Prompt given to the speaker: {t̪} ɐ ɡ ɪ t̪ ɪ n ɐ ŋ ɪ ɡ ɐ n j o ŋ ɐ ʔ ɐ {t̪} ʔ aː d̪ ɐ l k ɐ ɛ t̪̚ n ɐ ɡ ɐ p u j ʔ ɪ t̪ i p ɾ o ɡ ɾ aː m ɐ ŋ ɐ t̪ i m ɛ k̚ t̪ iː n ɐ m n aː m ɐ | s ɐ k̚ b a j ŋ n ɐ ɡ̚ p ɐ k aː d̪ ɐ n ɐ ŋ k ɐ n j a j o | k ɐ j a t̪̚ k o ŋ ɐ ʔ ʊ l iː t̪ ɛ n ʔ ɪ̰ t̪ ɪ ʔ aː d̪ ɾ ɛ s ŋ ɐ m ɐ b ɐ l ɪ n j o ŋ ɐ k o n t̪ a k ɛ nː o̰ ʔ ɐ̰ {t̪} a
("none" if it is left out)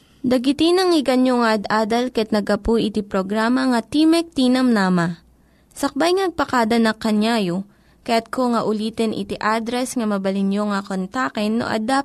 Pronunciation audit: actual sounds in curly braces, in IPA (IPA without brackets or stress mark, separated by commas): d̪, d̪, d̪